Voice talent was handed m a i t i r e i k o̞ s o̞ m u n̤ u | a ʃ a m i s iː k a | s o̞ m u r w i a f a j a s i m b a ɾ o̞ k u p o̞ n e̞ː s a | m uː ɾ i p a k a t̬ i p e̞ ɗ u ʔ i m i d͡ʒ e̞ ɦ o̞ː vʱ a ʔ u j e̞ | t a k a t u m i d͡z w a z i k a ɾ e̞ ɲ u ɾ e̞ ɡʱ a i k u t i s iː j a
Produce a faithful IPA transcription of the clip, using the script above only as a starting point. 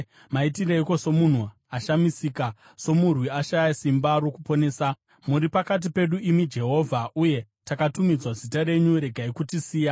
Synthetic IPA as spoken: m a i t i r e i k o̞ s o̞ m u n̤ u | a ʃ a m i s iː k a | s o̞ m u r w i a ʃ a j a s i m b a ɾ o̞ k u p o̞ n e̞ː s a | m u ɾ i p a k a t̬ i p e̞ ɗ u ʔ i m i d͡ʒ e̞ ɦ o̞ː vʱ a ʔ u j e̞ | t a k a t u m i d͡z w a z i t a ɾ e̞ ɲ u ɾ e̞ ɡʱ a i k u t i s iː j a